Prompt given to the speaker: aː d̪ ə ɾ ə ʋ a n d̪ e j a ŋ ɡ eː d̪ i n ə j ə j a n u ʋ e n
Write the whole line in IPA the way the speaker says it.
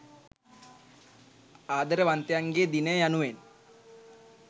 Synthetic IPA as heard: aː d̪ ə ɾ ə ʋ a n t̪ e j a ŋ ɡ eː d̪ i n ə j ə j a n u ʋ e n

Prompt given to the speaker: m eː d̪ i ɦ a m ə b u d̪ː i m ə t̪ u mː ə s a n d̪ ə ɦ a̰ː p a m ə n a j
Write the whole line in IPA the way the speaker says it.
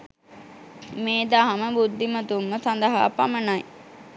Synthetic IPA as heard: m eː d̪ a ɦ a m ə b u d̪ː i m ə t̪ u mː ə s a n d̪ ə ɦ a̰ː p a m ə n a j

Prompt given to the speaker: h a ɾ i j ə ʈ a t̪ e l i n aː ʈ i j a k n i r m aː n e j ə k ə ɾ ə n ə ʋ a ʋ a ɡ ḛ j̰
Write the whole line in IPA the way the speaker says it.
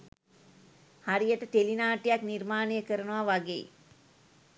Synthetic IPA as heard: h a ɾ i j ə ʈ ə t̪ e l i n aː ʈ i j a k n i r m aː n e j ə k ə ɾ ə n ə ʋ a ʋ a ɡ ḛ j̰

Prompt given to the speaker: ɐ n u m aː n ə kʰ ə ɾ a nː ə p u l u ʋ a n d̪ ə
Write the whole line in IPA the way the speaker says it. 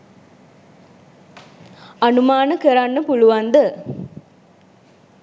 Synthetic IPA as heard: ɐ n u m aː n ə k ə ɾ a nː ə p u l u ʋ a n d̪ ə

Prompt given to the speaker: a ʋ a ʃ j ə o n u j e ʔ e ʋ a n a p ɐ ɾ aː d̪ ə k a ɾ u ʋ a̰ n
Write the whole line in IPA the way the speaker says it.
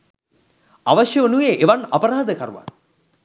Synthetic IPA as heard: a ʋ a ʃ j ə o n u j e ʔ e ʋ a n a p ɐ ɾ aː d̪ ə k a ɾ u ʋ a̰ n

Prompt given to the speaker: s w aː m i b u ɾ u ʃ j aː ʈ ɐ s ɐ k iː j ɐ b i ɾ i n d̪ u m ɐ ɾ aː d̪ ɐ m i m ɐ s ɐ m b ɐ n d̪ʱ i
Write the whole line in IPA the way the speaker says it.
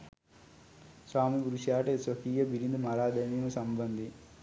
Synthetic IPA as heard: s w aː m i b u ɾ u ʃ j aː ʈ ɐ s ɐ k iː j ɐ b i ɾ i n d̪ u m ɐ ɾ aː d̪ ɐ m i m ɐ s ɐ m b ɐ n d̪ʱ i

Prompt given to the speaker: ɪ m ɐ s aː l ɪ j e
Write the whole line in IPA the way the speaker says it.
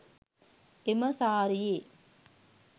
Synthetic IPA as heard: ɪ m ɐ s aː ɾ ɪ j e

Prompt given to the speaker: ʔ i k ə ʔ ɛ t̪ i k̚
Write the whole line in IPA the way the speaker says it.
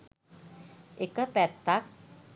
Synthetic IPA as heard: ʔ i k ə p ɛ t̪ a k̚

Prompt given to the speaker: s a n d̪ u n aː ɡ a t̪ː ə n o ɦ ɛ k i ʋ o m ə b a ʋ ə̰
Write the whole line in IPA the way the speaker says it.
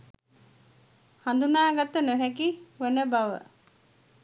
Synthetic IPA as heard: h a n d̪ u n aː ɡ a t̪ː ə n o ɦ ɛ k i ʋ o n ə b a ʋ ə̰

